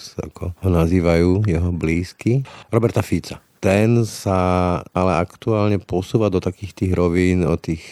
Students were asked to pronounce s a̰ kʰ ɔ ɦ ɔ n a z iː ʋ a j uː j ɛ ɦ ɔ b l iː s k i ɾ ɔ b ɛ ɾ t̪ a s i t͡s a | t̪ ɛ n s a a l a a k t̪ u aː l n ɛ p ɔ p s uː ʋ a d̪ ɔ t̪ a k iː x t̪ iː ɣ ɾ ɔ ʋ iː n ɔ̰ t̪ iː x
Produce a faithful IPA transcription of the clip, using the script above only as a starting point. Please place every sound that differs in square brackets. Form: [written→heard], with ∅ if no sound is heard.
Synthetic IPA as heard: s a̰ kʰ ɔ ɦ ɔ n a z iː ʋ a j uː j ɛ ɦ ɔ b l iː s k i ɾ ɔ b ɛ ɾ t̪ a [s→f] i t͡s a | t̪ ɛ n s a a l [a→ɛ] a k t̪ u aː l [n→ɲ] ɛ p ɔ [p→∅] s uː ʋ a d̪ ɔ t̪ a k iː x t̪ iː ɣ ɾ ɔ ʋ iː n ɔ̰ t̪ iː x